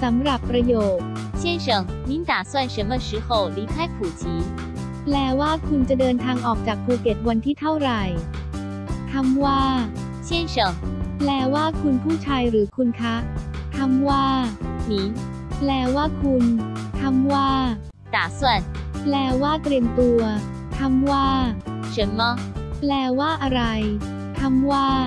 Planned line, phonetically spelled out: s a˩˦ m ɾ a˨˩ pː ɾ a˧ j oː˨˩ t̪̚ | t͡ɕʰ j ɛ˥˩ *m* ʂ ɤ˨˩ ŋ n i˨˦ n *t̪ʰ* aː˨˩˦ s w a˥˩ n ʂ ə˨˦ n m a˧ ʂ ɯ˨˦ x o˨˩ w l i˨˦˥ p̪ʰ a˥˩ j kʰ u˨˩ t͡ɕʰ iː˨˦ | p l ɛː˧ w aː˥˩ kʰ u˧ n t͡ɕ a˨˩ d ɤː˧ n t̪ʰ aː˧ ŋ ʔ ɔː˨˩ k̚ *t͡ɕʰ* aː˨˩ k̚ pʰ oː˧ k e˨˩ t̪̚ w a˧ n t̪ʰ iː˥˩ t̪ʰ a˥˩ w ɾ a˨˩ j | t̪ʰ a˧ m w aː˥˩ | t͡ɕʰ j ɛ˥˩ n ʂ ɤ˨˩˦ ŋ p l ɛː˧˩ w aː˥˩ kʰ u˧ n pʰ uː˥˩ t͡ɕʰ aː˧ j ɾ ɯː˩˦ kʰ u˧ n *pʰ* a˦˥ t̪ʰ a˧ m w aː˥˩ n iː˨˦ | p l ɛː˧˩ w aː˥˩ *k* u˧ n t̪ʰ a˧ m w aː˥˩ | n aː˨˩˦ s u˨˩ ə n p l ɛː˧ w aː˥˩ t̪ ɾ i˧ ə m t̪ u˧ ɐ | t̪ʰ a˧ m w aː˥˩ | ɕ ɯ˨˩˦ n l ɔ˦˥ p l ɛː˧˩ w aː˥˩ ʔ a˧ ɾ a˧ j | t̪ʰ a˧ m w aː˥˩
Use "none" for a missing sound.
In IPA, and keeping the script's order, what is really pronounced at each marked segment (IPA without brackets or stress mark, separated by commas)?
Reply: n, t̪, t͡ɕ, kʰ, kʰ